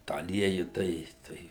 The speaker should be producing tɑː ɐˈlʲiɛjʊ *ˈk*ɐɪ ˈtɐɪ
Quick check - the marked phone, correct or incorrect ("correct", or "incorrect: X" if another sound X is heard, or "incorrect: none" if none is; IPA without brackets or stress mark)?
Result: incorrect: t